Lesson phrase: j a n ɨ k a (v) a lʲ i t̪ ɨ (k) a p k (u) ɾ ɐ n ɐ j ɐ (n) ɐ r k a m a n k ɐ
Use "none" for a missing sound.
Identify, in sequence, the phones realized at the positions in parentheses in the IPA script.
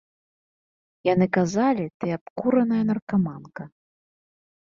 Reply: z, none, u, n

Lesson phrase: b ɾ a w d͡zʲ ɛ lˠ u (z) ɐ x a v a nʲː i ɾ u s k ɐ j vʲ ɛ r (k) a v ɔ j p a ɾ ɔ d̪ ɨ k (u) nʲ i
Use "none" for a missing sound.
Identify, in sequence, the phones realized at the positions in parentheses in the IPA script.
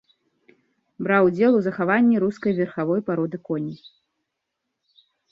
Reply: z, x, ɔ

